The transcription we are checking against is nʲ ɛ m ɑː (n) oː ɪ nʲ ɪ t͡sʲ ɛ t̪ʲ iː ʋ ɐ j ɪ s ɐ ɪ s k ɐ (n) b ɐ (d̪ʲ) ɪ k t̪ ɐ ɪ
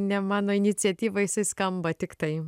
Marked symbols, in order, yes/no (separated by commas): yes, no, no